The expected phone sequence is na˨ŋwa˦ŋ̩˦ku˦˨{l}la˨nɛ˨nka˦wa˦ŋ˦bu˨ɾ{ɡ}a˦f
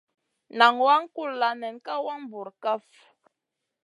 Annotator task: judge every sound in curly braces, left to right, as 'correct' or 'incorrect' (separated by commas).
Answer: correct, incorrect